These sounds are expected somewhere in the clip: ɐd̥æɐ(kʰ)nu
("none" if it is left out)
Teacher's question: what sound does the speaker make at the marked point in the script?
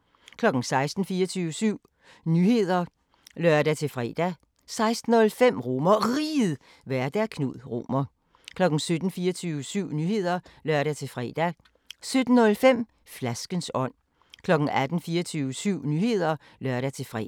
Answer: kʰ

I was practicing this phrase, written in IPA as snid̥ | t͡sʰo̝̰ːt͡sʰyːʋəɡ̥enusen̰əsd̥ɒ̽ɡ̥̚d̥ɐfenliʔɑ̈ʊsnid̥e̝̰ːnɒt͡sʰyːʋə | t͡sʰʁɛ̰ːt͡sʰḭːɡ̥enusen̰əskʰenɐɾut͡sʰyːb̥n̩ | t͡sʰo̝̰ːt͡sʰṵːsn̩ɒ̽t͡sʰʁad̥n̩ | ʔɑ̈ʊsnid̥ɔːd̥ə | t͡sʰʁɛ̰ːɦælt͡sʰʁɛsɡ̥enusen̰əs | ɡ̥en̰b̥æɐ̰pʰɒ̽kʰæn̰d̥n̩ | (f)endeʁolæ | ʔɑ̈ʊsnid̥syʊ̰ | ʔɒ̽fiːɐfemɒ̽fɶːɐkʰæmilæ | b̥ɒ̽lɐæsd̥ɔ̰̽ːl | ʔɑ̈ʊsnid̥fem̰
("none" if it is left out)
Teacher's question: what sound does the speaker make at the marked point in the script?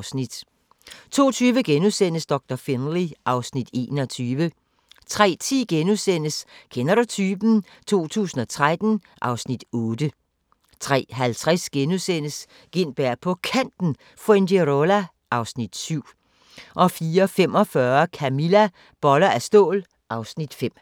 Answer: f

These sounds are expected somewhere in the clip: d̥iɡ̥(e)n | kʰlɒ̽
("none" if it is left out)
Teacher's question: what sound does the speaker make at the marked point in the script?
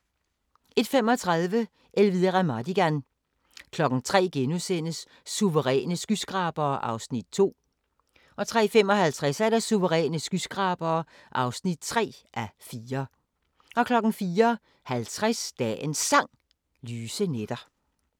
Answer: æ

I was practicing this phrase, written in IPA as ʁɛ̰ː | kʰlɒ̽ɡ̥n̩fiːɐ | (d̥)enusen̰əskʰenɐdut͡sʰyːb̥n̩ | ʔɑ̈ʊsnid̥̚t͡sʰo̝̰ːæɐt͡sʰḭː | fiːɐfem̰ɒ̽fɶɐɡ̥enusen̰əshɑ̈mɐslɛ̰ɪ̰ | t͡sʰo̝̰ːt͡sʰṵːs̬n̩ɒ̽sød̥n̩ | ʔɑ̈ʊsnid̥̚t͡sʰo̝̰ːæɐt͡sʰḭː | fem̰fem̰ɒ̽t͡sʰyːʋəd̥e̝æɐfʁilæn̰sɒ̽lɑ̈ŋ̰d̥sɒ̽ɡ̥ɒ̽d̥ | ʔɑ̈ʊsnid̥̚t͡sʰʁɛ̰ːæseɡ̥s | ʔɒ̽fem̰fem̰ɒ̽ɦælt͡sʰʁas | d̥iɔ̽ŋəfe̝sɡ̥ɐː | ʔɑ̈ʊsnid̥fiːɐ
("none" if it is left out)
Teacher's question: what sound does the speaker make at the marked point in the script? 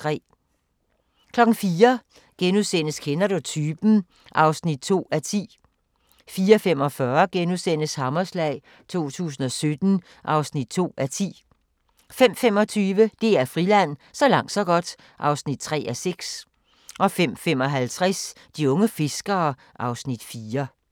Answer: ɡ̥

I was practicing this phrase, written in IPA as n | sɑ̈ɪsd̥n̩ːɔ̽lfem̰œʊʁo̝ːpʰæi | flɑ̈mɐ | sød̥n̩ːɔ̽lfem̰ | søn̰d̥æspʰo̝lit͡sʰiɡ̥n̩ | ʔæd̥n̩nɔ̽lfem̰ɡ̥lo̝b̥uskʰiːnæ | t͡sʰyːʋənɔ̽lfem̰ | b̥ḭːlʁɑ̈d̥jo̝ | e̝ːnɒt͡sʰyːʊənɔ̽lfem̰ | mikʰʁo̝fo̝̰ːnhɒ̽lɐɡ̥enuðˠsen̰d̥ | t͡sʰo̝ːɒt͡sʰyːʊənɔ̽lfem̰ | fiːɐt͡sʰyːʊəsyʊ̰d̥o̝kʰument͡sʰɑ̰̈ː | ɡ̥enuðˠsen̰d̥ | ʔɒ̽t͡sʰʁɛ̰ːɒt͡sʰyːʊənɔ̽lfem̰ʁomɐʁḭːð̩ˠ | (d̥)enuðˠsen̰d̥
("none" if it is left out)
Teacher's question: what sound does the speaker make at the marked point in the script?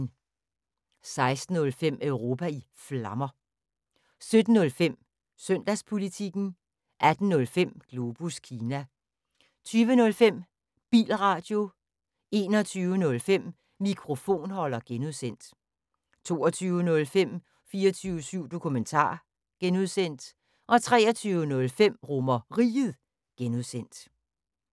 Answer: ɡ̥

